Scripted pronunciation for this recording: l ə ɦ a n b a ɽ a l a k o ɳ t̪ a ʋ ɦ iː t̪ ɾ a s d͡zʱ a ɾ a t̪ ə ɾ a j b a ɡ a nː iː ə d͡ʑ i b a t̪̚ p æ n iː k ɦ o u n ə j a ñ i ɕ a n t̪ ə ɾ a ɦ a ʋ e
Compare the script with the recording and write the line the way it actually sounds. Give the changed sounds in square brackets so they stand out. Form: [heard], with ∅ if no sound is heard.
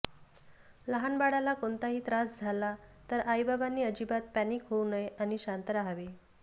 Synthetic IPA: l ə ɦ a n b a ɽ a l a k o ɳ t̪ a [∅] ɦ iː t̪ ɾ a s d͡zʱ a [l] a t̪ ə ɾ a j b a [b] a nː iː ə d͡ʑ i b a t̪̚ p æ n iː k ɦ o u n ə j a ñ i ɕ a n t̪ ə ɾ a ɦ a ʋ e